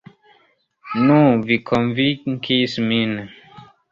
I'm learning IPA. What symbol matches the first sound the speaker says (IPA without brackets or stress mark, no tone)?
n